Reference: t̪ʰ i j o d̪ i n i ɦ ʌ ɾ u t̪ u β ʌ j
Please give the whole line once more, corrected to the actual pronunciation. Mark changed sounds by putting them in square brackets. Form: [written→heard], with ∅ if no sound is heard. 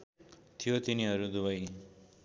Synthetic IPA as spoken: t̪ʰ i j o [d̪→t̪] i n i ɦ ʌ ɾ u [t̪→d̪] u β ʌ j